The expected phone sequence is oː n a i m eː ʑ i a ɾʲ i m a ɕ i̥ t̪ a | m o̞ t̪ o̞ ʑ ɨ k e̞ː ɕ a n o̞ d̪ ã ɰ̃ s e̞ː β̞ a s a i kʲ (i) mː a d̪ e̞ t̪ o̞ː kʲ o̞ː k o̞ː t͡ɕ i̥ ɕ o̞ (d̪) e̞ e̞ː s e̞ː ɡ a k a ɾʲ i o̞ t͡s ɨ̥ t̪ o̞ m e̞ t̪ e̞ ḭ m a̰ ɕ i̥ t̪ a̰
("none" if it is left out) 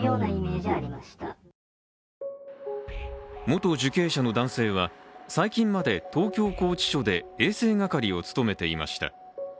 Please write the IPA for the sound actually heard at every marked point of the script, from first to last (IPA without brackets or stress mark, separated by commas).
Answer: ĩ, d̪